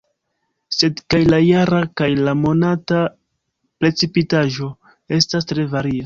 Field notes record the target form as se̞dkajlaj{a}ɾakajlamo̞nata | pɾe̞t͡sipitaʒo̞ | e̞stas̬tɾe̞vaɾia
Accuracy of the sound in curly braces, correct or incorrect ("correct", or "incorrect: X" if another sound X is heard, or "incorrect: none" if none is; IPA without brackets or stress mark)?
correct